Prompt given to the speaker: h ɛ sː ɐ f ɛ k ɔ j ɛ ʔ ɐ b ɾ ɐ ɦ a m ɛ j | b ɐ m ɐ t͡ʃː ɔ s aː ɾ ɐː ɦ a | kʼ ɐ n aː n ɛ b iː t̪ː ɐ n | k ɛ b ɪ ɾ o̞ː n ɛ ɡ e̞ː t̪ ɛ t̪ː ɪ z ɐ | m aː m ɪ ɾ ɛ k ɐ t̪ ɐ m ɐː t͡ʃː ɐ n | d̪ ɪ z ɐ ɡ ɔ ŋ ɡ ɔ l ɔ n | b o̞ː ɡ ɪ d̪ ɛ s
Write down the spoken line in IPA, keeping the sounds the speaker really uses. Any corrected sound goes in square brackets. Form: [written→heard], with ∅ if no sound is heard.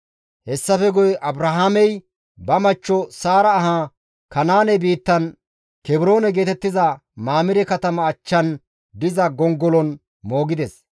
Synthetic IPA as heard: h ɛ sː ɐ f ɛ [k→ɡ] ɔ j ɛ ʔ ɐ b ɾ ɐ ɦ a m ɛ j | b ɐ m ɐ t͡ʃː ɔ s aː ɾ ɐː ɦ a | [kʼ→k] ɐ n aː n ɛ b iː t̪ː ɐ n | k ɛ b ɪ ɾ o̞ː n ɛ ɡ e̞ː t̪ ɛ t̪ː ɪ z ɐ | m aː m ɪ ɾ ɛ k ɐ t̪ ɐ m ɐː t͡ʃː ɐ n | d̪ ɪ z ɐ ɡ ɔ ŋ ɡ ɔ l ɔ n | [b→m] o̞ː ɡ ɪ d̪ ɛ s